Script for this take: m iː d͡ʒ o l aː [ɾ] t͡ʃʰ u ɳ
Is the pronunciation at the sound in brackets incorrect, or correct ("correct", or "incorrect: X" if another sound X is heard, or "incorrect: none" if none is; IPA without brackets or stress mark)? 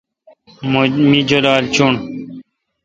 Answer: incorrect: l